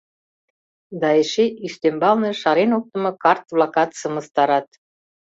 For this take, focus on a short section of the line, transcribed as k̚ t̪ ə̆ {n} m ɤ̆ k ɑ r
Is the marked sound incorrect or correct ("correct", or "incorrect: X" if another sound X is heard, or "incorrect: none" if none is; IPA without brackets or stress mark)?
incorrect: none